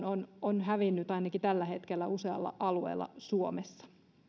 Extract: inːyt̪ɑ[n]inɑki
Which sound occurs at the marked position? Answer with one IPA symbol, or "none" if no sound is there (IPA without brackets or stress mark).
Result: none